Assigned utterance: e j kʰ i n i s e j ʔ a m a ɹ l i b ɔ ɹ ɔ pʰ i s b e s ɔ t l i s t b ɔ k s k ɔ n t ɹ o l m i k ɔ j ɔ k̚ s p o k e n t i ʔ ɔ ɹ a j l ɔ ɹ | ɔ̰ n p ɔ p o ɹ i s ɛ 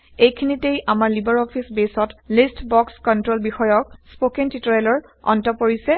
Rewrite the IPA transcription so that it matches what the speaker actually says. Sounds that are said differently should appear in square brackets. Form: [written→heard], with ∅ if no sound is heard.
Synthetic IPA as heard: e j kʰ i n i [s→t] e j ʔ a m a ɹ l i b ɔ ɹ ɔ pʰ i s b e s ɔ t l i s t b ɔ k s k ɔ n t ɹ o l [m→b] i [k→x] ɔ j ɔ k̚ s p o k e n t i [ʔ→t] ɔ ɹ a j l ɔ ɹ | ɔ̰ n [p→t] ɔ p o ɹ i s ɛ

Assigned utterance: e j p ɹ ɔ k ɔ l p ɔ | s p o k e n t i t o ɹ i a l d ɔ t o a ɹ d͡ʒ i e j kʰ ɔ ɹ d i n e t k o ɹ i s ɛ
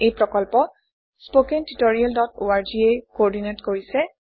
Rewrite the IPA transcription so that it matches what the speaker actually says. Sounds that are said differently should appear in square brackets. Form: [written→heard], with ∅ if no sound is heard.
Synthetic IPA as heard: e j p ɹ ɔ k ɔ l p ɔ | s p o k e n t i t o ɹ i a l d ɔ t o a ɹ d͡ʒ i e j [kʰ→k] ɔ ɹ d i n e t k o ɹ i s ɛ

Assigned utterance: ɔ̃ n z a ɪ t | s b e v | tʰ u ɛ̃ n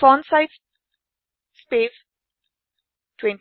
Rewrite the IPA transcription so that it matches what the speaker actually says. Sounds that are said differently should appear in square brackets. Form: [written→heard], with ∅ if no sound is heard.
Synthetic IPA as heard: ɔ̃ n [z→s] a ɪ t | s [b→p] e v | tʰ [u→w] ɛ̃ n

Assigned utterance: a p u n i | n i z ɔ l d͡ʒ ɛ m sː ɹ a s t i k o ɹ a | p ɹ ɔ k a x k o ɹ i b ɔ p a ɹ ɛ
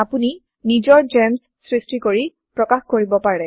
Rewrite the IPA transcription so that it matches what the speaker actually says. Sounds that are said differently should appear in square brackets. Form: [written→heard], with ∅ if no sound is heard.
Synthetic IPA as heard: a p u n i | n i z ɔ [l→ɹ] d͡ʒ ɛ m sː ɹ [a→i] s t i k o ɹ [a→i] | p ɹ ɔ k a x k o ɹ i b ɔ p a ɹ ɛ

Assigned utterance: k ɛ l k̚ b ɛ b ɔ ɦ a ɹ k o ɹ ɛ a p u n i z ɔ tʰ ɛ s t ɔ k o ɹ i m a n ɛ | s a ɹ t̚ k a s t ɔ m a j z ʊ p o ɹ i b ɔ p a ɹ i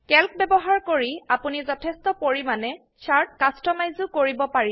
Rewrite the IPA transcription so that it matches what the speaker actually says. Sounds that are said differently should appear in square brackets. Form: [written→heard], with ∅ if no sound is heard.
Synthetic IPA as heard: k ɛ l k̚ b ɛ b ɔ ɦ a ɹ k o ɹ [ɛ→i] a p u n i z ɔ tʰ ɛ s t ɔ [k→p] o ɹ i m a n ɛ | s a ɹ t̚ k a s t ɔ m a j z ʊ [p→k] o ɹ i b ɔ p a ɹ i

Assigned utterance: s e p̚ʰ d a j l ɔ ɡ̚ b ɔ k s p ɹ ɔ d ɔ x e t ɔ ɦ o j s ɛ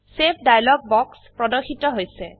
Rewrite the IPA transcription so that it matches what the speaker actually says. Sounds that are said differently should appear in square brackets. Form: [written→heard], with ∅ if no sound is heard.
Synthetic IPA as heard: s e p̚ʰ d a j l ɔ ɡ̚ b ɔ k s p ɹ ɔ d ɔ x [e→i] t ɔ ɦ o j s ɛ

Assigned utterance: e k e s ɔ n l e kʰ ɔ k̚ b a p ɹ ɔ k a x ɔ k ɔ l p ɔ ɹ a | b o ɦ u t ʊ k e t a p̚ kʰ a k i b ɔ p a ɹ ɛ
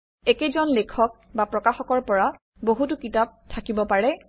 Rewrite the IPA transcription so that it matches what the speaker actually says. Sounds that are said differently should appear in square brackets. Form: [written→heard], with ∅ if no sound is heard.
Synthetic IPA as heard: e k e [s→z] ɔ n l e kʰ ɔ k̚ b a p ɹ ɔ k a x ɔ k ɔ [l→ɹ] p ɔ ɹ a | b o ɦ u t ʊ k [e→i] t a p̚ [kʰ→tʰ] a k i b ɔ p a ɹ ɛ

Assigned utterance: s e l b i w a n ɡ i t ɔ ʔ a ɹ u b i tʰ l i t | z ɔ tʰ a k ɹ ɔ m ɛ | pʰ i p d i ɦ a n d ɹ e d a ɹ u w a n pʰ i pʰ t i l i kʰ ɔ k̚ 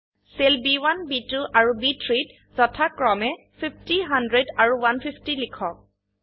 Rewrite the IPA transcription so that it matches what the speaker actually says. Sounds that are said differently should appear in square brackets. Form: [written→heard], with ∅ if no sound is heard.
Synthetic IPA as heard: s e l b i w a n [ɡ→b] i t [ɔ→u] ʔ a ɹ u b i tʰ [l→ɹ] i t | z ɔ tʰ a k ɹ ɔ m ɛ | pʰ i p [d→t] i ɦ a n d ɹ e d a ɹ u w a n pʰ i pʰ t i l i kʰ ɔ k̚

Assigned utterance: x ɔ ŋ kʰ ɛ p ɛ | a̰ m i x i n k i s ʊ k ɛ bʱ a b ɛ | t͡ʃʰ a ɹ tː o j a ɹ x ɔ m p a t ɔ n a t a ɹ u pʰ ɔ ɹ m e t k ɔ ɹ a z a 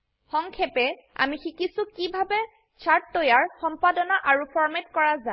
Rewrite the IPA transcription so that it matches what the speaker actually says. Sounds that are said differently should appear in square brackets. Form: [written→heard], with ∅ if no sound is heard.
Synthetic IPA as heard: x ɔ ŋ kʰ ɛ p ɛ | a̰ m i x i [n→∅] k i s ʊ k [ɛ→i] bʱ a b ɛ | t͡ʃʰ a ɹ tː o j a ɹ x ɔ m p a [t→d] ɔ n a [t→ʔ] a ɹ u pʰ ɔ ɹ m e t k ɔ ɹ a z a

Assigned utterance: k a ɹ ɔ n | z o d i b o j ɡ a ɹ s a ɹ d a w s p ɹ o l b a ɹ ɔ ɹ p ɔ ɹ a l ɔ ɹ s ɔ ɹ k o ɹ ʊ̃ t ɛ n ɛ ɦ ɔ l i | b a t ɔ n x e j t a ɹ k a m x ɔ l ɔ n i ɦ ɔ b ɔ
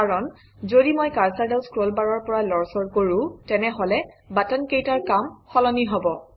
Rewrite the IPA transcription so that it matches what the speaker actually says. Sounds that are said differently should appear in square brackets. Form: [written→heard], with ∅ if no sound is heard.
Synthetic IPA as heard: k a ɹ ɔ n | z o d i [b→m] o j [ɡ→k] a ɹ s a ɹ d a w s [p→k] ɹ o l b a ɹ ɔ ɹ p ɔ ɹ a l ɔ ɹ s ɔ ɹ k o ɹ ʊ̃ t ɛ n ɛ ɦ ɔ l [i→ɛ] | b a t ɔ n [x→k] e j t a ɹ k a m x ɔ l ɔ n i ɦ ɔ b ɔ

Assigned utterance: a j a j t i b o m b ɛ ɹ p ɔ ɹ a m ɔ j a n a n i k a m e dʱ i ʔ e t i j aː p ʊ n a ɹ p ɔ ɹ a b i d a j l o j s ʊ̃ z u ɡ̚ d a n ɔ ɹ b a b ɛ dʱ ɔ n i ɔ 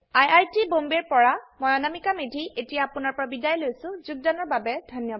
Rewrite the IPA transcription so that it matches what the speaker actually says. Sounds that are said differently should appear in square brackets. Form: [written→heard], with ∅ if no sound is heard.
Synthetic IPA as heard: a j a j t i b o m b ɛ ɹ p ɔ ɹ a m ɔ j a n a [n→m] i k a m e dʱ i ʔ e t i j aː p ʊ n a ɹ p ɔ ɹ a b i d a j l o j s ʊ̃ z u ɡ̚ d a n ɔ ɹ b a b ɛ dʱ ɔ n [i→j] ɔ

